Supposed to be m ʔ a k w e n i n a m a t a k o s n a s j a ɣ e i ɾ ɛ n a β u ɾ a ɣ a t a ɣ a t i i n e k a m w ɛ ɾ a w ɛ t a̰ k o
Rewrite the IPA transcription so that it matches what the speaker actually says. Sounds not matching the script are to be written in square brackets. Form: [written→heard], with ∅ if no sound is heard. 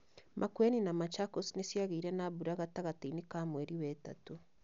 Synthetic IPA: m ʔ a k w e n i n a m a [t→t͡ʃ] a k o s n [a→e] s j a ɣ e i ɾ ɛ n a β u ɾ a ɣ a t a ɣ a t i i n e k a m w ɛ ɾ [a→i] w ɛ t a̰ [k→t] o